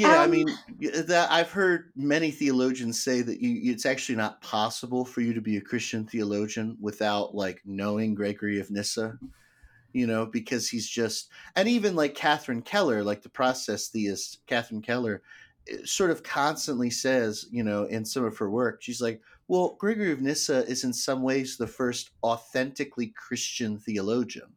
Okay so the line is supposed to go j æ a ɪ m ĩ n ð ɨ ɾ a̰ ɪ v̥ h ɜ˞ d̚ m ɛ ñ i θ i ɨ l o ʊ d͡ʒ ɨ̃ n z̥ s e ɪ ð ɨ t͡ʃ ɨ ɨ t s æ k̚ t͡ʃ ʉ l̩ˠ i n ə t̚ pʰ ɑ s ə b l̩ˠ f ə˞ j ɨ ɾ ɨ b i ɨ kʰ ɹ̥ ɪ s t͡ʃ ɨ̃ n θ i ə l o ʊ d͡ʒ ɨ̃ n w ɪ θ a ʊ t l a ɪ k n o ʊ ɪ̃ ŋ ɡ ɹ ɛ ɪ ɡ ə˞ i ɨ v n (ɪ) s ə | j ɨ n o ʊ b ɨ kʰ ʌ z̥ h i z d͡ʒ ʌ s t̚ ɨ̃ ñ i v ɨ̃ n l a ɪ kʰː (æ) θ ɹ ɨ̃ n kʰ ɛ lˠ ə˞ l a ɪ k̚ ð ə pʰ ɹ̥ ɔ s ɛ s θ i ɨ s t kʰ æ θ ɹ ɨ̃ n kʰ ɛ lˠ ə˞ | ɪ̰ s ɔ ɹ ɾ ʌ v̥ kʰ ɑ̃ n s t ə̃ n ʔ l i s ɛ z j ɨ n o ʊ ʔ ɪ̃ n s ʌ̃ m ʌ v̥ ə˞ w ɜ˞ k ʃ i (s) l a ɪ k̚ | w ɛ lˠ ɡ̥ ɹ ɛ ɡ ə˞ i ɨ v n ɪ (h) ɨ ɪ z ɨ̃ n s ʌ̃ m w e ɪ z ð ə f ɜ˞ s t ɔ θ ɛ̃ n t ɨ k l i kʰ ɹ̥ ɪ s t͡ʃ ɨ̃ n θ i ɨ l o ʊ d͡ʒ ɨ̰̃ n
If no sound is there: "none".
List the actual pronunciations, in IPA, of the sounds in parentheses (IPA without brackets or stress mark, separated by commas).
ɪ, æ, z, s